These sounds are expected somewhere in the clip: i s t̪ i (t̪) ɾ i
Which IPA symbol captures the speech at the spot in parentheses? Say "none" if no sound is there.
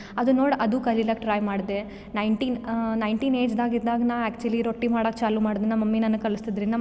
d̪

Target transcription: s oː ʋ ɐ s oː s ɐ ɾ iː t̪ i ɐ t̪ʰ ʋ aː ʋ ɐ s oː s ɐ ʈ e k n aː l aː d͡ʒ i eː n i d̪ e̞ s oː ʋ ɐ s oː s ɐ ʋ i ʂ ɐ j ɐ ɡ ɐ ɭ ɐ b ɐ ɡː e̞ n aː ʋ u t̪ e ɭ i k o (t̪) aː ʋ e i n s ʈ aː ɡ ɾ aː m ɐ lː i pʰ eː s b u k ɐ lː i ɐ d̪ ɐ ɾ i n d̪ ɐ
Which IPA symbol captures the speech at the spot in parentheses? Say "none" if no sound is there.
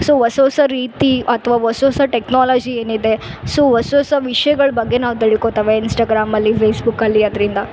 t̪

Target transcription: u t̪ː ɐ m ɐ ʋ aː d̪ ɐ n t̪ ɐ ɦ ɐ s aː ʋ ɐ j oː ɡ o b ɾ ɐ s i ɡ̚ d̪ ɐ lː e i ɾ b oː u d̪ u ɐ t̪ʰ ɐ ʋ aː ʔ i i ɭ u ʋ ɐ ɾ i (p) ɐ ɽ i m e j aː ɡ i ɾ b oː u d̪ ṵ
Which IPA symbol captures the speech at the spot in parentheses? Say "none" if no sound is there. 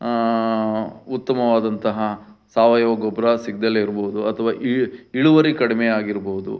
k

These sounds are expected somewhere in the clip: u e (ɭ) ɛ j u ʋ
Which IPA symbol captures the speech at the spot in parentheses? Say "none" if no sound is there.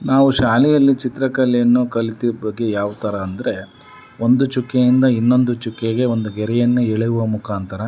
ɭ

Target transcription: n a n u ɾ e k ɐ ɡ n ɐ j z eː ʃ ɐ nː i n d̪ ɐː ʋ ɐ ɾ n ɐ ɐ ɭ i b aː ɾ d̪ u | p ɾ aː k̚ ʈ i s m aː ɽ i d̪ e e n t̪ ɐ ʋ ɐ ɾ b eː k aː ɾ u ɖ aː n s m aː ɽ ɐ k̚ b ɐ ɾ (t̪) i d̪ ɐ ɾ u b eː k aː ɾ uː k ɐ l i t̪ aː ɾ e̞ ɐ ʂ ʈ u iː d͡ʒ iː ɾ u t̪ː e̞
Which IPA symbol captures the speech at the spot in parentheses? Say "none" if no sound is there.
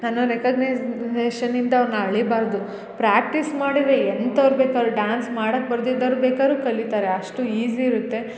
d̪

